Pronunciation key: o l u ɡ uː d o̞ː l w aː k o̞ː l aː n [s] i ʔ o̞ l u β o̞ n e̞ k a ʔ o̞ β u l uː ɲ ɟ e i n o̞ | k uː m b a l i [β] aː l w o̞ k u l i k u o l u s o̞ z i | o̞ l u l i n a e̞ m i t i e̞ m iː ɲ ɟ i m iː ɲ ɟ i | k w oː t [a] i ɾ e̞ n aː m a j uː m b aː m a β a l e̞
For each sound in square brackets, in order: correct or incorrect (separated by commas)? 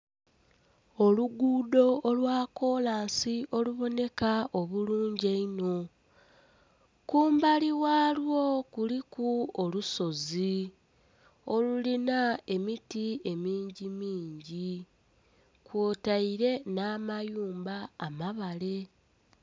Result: correct, incorrect, correct